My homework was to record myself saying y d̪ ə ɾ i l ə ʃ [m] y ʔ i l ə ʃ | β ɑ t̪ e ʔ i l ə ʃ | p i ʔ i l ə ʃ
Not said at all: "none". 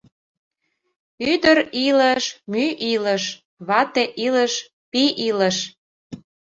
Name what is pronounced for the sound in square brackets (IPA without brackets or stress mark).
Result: m